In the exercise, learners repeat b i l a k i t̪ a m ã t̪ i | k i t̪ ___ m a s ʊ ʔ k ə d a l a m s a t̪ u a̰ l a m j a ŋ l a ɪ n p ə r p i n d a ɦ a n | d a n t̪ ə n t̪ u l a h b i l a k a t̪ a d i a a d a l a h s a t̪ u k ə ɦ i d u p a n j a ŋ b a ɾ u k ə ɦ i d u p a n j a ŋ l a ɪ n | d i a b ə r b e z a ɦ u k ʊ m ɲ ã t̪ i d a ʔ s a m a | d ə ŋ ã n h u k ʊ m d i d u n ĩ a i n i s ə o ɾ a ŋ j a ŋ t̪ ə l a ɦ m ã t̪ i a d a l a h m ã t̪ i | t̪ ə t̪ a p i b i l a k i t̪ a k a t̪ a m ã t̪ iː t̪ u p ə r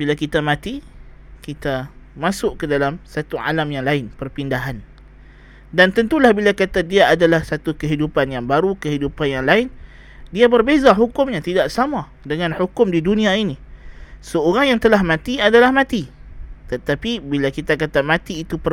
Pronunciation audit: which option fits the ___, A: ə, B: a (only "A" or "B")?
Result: B